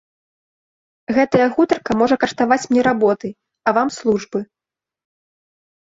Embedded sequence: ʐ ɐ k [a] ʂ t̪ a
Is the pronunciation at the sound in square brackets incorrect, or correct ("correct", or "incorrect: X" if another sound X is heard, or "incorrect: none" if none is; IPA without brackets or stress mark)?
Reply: incorrect: ɐ